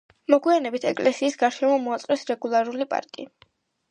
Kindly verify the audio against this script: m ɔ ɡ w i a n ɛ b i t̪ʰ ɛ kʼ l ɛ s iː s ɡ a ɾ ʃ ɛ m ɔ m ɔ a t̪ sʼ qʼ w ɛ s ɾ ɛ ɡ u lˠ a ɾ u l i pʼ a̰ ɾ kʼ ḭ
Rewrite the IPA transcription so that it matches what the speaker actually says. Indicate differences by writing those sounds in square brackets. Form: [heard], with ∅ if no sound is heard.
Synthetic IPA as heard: m ɔ ɡ w i a n ɛ b i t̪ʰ ɛ kʼ l ɛ s iː s ɡ a ɾ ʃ ɛ m ɔ m ɔ a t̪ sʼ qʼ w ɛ s ɾ ɛ ɡ u lˠ a ɾ u l i pʼ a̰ ɾ kʼ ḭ